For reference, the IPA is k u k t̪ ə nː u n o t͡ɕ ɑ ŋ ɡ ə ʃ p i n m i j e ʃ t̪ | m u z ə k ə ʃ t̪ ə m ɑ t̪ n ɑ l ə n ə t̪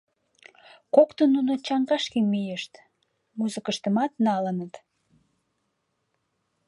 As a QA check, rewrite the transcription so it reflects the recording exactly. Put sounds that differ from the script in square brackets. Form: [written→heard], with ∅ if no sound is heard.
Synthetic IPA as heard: k [u→o] k t̪ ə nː u n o t͡ɕ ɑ ŋ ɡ [ə→ɑ] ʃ [p→k] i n m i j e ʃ t̪ | m u z ə k ə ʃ t̪ ə m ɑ t̪ n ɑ l ə n ə t̪